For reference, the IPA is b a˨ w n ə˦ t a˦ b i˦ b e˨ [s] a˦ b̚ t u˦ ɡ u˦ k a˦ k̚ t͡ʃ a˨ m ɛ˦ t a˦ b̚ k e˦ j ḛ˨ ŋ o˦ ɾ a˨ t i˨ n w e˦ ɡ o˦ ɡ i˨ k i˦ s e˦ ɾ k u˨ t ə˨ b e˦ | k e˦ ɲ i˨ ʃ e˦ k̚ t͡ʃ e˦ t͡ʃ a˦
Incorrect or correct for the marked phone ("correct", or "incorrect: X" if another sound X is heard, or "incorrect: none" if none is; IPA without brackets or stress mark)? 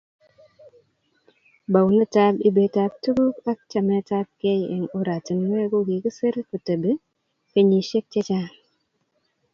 incorrect: t